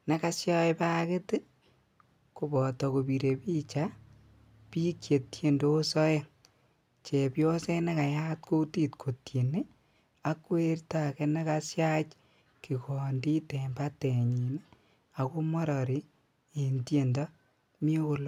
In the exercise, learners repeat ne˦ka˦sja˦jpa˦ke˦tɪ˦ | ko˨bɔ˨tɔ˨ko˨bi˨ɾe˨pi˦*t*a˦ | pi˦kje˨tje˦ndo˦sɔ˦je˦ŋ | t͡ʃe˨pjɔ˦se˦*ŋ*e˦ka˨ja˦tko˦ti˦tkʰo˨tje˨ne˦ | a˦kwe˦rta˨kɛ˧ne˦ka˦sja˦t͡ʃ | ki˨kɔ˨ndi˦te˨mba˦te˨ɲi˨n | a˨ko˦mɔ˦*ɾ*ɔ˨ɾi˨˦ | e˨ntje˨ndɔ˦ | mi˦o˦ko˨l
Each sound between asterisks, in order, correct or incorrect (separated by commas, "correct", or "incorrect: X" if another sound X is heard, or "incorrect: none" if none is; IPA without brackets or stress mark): incorrect: t͡ʃ, incorrect: n, correct